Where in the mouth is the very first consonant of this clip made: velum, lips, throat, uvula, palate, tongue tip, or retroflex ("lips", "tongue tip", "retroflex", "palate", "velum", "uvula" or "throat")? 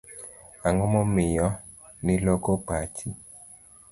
velum